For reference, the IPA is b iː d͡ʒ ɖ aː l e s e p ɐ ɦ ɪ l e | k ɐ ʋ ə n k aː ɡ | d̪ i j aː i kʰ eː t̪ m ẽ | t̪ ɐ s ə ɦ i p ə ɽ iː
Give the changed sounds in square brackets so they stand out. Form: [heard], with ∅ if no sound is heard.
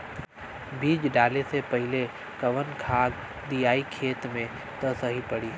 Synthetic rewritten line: b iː d͡ʒ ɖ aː l e s e p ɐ ɦ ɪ l e | k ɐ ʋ ə n [kʰ] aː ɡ | d̪ i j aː i kʰ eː t̪ m ẽ | t̪ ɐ s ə ɦ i p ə ɽ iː